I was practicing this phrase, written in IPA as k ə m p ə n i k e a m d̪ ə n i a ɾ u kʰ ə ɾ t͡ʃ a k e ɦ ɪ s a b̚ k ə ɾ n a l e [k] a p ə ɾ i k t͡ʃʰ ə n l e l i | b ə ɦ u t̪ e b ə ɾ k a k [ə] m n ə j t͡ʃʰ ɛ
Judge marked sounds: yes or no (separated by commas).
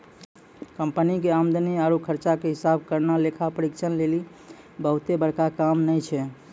no, no